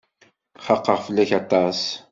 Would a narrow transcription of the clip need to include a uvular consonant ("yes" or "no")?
yes